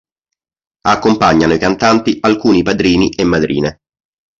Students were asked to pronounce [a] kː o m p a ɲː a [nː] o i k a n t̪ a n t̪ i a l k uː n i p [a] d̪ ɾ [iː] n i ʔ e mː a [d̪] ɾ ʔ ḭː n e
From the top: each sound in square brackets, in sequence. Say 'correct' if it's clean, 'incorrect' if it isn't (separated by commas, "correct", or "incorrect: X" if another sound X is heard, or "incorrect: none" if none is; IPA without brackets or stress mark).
correct, incorrect: n, correct, correct, correct